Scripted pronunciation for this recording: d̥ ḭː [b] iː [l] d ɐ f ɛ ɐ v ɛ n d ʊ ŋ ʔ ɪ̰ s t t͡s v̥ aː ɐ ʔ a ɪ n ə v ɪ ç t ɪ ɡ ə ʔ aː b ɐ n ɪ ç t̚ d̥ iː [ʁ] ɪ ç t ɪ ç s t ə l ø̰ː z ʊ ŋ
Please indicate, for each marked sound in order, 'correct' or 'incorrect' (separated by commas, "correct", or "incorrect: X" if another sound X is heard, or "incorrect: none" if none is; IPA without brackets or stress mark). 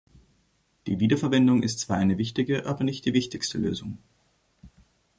incorrect: v, incorrect: none, incorrect: v